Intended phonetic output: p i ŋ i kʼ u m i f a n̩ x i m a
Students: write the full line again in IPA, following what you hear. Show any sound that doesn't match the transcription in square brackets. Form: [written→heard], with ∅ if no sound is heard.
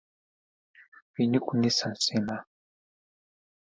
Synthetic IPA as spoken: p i [ŋ→n] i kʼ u [m→n] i [f→s] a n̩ [x→s] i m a